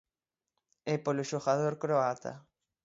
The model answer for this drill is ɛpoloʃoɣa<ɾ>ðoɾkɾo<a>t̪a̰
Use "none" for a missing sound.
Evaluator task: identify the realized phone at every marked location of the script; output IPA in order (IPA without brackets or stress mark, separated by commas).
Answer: none, a